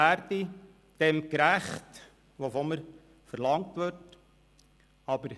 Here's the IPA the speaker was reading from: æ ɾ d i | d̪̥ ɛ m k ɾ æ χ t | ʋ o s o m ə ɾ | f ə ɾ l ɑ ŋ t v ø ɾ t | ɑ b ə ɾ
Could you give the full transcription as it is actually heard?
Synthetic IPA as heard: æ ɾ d i | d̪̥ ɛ m k ɾ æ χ t | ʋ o f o m ə ɾ | f ə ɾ l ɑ ŋ t ʋ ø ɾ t | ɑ b ə ɾ